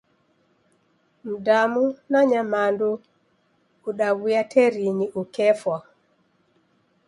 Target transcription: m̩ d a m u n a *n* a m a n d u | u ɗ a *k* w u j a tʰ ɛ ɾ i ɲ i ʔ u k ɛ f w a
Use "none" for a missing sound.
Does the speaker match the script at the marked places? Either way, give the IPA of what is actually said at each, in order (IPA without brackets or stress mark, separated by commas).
ɲ, none